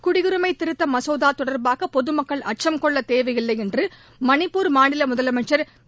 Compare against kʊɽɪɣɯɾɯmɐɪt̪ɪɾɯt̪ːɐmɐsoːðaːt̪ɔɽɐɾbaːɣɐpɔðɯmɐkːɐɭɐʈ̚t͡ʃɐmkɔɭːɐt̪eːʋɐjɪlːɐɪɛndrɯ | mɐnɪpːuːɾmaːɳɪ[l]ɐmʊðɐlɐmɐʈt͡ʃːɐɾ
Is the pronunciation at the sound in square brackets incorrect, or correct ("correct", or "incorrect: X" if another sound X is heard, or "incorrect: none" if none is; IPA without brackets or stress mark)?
correct